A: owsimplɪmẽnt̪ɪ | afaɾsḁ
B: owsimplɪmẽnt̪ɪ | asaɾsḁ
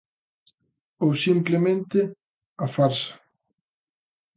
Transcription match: A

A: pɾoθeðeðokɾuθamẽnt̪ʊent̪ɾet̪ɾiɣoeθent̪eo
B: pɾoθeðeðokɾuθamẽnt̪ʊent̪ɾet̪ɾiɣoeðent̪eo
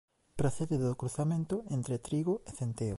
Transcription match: A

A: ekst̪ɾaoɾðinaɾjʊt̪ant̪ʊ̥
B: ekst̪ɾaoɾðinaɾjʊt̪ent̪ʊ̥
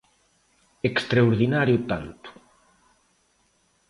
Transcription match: A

